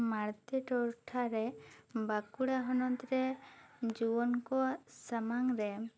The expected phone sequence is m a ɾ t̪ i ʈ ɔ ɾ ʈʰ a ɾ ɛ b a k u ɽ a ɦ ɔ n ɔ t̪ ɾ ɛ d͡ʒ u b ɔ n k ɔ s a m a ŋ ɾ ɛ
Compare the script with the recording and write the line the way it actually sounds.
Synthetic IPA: m a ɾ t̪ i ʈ ɔ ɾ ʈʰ a ɾ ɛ b a k u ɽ a ɦ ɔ n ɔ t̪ ɾ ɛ d͡ʒ u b ɔ n k ɔ s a m a ŋ ɾ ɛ